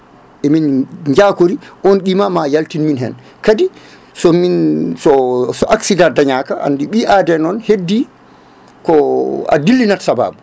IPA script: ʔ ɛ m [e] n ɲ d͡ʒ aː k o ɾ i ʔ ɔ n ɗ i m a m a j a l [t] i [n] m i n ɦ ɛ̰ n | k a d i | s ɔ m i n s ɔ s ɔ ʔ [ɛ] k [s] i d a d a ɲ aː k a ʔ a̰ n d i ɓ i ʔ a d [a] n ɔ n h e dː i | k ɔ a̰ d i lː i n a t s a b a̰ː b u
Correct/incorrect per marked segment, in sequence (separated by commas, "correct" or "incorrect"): incorrect, correct, correct, incorrect, correct, incorrect